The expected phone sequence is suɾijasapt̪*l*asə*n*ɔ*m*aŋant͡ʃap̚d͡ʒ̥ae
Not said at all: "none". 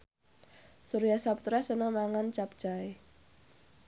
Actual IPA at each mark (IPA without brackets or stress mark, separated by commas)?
ɾ, n, m